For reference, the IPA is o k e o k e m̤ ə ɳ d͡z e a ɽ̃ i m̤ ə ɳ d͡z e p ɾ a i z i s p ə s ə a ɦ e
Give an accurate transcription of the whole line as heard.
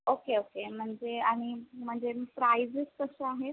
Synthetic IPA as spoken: o k e o k e m̤ ə ɳ d͡z e a ɽ̃ i m̤ ə ɳ d͡z e p ɾ a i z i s k ə s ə a ɦ e